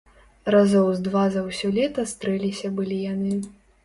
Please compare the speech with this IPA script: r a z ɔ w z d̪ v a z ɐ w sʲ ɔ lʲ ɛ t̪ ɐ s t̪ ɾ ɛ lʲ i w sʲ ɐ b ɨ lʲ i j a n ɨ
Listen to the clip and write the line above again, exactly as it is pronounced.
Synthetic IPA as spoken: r a z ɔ w z d̪ v a z ɐ w sʲ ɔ lʲ ɛ t̪ ɐ s t̪ ɾ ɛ lʲ i sʲ ɐ b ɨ lʲ i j a n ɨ